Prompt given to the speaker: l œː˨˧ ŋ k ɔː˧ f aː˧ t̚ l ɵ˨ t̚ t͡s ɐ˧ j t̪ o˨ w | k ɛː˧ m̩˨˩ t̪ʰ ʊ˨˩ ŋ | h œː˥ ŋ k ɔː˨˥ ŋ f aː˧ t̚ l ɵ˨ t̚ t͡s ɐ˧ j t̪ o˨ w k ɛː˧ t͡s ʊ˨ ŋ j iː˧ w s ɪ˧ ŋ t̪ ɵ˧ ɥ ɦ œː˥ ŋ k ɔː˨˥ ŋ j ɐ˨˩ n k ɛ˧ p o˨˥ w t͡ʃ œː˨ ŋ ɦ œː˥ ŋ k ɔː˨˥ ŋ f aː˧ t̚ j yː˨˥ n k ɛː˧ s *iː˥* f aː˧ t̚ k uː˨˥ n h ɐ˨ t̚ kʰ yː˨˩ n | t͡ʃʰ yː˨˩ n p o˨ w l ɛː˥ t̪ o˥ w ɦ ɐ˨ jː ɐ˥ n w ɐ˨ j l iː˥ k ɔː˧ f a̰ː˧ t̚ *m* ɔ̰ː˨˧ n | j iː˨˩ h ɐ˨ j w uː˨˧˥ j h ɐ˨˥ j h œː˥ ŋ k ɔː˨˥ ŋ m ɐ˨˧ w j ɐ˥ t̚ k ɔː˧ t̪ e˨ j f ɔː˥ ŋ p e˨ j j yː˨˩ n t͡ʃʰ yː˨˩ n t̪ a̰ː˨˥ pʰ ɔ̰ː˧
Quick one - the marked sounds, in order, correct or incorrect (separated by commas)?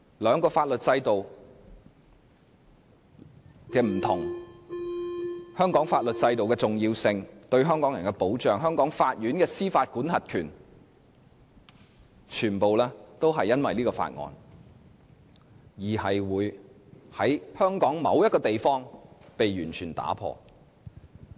correct, incorrect